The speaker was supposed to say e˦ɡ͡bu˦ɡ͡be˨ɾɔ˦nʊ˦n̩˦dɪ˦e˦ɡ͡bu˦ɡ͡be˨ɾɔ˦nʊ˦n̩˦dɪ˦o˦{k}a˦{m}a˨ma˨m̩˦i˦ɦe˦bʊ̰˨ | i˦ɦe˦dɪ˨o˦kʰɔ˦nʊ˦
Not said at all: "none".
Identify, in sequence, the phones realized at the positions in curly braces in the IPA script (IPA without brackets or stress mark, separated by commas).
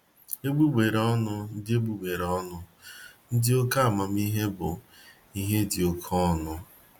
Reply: k, none